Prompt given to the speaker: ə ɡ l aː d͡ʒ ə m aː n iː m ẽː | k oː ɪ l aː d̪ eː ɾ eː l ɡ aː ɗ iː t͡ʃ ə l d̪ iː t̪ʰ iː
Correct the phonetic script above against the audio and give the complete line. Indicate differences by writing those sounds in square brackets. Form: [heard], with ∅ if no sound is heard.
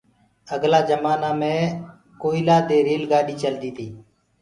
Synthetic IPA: ə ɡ l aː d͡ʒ ə m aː n [aː] m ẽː | k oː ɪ l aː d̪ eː ɾ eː l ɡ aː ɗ iː t͡ʃ ə l d̪ iː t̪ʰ iː